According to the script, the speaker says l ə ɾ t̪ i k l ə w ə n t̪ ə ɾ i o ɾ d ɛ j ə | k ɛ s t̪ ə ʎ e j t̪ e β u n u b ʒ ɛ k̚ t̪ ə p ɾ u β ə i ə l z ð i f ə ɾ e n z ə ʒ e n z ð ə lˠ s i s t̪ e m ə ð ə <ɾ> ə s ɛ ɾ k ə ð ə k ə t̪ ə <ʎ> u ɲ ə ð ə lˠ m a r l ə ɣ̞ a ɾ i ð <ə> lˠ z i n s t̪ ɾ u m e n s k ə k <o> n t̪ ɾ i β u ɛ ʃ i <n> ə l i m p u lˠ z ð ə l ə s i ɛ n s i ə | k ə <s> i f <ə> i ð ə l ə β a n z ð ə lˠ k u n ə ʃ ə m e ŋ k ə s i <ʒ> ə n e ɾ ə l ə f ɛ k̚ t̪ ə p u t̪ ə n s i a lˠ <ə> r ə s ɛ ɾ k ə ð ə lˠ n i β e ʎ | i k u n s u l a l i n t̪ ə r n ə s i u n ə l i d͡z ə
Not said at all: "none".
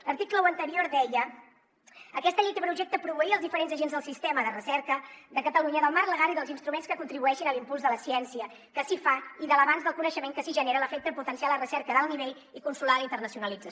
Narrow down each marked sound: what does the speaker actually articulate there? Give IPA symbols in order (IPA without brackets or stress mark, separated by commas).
r, l, ə, u, n, s, a, ʒ, ə